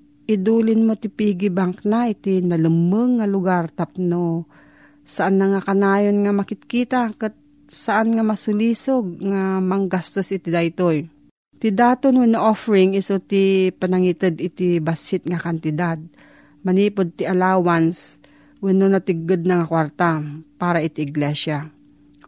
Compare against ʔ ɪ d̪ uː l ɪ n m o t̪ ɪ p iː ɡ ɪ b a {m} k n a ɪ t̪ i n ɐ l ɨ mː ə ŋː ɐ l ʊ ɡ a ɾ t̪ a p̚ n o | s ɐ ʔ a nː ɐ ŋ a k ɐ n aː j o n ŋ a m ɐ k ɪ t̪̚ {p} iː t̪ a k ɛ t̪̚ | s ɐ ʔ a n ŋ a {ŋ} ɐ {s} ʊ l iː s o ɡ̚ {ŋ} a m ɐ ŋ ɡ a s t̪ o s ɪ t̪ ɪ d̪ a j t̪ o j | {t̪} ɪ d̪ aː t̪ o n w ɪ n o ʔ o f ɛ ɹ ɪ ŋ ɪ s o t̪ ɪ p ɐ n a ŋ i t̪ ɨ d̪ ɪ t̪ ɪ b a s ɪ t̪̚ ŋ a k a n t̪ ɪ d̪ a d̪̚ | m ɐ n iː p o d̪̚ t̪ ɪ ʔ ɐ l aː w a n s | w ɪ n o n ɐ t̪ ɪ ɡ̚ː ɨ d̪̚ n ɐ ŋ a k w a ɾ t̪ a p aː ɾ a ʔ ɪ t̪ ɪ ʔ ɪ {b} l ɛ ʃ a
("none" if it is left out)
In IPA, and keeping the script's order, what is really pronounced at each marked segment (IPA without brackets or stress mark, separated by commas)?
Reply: ŋ, k, m, s, ŋ, t̪, ɡ